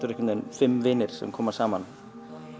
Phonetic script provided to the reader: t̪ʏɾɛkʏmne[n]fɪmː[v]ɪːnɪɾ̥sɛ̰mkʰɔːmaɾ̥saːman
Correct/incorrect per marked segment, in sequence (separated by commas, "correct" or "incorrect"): correct, correct